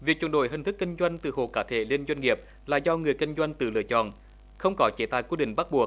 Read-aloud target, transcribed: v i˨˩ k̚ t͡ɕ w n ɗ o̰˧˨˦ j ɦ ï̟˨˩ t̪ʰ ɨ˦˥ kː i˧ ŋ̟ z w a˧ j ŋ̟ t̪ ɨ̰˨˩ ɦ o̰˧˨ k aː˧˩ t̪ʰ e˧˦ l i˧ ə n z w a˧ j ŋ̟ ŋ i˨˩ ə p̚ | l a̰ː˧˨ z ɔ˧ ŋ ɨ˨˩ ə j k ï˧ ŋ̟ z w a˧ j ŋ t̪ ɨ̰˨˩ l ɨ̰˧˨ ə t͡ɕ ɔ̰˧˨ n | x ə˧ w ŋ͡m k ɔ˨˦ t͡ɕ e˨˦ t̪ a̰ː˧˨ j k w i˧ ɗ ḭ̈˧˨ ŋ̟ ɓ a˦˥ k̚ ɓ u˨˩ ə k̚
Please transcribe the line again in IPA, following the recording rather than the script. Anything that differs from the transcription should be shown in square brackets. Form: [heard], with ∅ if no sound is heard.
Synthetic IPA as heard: v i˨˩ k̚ t͡ɕ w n ɗ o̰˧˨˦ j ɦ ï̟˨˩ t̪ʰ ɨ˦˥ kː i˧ ŋ̟ z w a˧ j ŋ̟ t̪ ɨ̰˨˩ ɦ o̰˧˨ k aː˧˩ t̪ʰ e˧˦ l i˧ ə n z w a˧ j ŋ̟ ŋ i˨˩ ə p̚ | l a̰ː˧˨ z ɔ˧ ŋ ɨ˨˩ ə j k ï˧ ŋ̟ z w a˧ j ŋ t̪ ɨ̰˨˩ l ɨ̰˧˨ ə t͡ɕ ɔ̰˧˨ n | x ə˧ w ŋ͡m k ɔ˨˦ t͡ɕ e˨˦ t̪ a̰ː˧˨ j k w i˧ ɗ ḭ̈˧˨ ŋ̟ ɓ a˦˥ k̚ ɓ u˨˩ ə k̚